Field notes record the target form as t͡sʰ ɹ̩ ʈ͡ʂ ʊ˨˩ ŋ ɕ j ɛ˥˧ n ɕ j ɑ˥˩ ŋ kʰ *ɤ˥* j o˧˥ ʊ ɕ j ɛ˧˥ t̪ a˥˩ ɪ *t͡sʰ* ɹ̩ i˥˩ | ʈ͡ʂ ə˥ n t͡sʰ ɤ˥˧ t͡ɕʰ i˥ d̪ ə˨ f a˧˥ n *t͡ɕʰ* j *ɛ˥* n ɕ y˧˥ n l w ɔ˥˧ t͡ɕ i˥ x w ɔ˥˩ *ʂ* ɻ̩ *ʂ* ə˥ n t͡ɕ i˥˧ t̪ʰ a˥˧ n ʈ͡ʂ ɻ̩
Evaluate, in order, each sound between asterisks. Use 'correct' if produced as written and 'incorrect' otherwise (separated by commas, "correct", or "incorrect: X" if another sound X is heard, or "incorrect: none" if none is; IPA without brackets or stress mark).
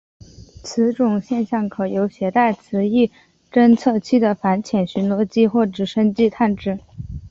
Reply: incorrect: ɤ˨˩, correct, correct, incorrect: ɛ˨˩, incorrect: ʈ͡ʂ, correct